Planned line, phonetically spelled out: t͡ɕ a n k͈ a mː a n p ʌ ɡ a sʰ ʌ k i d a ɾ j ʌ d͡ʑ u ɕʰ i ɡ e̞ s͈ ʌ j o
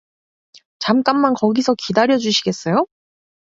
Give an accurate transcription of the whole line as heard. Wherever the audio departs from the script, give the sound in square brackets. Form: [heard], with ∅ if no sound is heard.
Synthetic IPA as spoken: t͡ɕ a [m] k͈ a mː a n [k] ʌ ɡ [i] sʰ ʌ k i d a ɾ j ʌ d͡ʑ u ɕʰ i ɡ e̞ s͈ ʌ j o